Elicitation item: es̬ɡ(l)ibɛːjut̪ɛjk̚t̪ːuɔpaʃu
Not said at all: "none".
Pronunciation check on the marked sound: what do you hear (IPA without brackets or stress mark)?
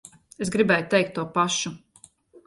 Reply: ɾ